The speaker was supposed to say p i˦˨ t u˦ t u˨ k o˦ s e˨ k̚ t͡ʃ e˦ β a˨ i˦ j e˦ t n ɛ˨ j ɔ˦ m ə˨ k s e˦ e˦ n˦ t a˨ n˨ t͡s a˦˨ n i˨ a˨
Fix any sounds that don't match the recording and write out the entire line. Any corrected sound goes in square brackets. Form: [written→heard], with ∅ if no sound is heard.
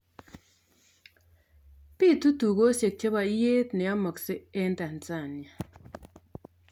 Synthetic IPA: p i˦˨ t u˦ t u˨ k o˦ s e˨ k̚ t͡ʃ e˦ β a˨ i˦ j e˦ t n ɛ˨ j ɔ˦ m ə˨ k s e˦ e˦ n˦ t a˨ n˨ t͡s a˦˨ n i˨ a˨